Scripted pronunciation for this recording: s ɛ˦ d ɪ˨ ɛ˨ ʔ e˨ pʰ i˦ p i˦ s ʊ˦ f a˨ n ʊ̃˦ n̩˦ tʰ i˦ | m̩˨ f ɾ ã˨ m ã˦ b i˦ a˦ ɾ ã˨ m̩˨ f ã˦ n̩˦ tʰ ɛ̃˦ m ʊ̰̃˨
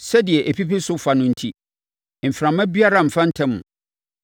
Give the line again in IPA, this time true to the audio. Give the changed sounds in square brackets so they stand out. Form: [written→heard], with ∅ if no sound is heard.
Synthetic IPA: s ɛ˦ d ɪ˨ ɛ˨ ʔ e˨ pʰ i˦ p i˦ s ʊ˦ f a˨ n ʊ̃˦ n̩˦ tʰ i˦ | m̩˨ f ɾ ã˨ m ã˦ b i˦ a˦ ɾ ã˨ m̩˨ f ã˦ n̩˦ tʰ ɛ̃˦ m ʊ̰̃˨